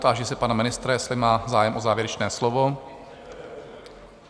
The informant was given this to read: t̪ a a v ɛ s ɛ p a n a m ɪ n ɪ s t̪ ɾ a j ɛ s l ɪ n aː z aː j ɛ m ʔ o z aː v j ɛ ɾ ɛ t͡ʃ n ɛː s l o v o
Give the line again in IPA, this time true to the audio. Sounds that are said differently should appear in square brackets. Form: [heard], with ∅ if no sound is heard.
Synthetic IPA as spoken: t̪ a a [ʒ] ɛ s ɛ p a n a m ɪ n ɪ s t̪ ɾ a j ɛ s l ɪ [m] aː z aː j ɛ m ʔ o z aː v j ɛ ɾ ɛ t͡ʃ n ɛː s l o v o